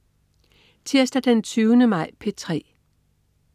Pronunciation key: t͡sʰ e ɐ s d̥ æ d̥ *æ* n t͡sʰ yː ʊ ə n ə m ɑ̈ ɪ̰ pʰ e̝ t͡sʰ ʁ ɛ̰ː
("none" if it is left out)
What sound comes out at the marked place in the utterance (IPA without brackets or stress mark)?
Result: e